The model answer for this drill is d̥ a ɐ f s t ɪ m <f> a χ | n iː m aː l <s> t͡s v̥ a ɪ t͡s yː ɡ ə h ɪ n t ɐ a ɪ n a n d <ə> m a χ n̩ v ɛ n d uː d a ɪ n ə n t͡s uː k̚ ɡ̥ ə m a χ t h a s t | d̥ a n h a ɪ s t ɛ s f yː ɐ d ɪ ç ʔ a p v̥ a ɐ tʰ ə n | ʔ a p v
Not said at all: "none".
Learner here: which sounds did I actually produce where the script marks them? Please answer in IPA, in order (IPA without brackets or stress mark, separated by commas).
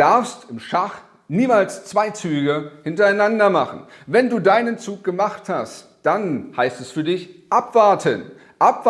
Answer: ʃ, s, ɐ